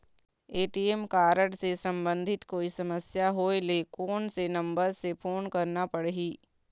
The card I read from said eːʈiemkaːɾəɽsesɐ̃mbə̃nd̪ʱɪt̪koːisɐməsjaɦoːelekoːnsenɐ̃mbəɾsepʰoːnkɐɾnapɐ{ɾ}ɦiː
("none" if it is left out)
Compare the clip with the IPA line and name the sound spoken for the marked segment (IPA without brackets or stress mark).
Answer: ɽ